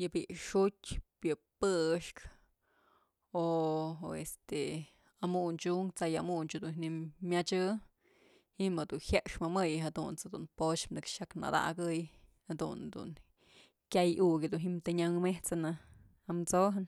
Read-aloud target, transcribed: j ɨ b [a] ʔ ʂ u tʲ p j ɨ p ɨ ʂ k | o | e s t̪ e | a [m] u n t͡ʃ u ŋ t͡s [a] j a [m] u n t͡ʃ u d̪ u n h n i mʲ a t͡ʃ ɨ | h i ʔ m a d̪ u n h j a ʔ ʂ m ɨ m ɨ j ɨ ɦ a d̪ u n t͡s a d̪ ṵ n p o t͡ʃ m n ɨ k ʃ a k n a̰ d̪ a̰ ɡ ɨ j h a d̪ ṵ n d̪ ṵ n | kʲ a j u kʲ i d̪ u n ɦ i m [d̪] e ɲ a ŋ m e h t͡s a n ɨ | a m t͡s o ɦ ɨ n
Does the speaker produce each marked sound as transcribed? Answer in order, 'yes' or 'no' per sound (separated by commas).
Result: no, yes, yes, yes, no